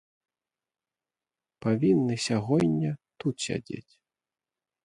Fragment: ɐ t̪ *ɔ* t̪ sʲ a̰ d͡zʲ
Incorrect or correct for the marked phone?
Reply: incorrect: u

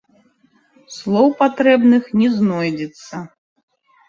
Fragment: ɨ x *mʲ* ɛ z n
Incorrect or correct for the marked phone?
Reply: incorrect: nʲ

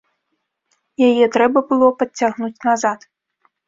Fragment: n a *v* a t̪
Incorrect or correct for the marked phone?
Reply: incorrect: z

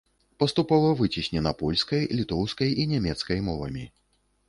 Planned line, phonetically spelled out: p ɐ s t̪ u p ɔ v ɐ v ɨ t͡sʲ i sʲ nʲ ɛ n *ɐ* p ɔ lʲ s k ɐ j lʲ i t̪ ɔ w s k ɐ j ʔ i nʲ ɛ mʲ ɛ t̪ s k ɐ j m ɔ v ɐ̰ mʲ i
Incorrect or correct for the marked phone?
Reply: correct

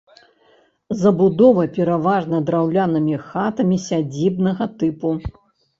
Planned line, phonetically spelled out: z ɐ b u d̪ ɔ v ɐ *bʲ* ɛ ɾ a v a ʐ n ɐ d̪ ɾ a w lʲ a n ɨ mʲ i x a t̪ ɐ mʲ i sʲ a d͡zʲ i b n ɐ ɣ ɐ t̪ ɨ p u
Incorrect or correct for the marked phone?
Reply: incorrect: pʲ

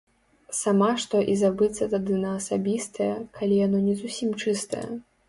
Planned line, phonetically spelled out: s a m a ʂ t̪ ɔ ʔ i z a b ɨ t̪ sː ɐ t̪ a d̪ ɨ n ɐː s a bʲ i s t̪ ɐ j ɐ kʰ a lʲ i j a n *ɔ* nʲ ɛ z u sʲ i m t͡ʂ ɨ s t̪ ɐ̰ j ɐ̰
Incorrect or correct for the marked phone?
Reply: correct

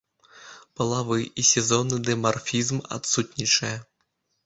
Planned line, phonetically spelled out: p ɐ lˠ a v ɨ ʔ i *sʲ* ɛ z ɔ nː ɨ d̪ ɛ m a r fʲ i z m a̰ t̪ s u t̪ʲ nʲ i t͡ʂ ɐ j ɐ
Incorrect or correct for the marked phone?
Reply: correct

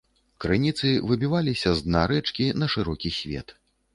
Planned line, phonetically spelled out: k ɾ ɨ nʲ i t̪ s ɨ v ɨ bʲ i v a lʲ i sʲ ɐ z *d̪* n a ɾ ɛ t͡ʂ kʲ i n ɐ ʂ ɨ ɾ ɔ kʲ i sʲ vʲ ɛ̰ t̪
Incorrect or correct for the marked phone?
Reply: correct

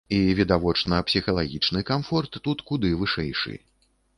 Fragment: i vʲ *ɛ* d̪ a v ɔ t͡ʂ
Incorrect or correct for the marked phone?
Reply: incorrect: i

